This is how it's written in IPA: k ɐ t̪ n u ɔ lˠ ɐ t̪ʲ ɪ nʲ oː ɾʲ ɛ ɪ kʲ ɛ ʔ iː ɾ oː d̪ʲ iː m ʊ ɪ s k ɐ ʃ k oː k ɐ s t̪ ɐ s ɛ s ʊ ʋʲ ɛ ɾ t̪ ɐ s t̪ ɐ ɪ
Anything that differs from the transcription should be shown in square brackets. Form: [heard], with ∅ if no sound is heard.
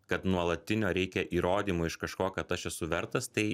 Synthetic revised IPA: k ɐ t̪ n u ɔ lˠ ɐ t̪ʲ ɪ nʲ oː ɾʲ ɛ ɪ kʲ ɛ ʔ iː ɾ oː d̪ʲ iː m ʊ ɪ [ʃ] k ɐ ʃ k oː k ɐ [∅] t̪ ɐ [ʃ] ɛ s ʊ ʋʲ ɛ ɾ t̪ ɐ s t̪ ɐ ɪ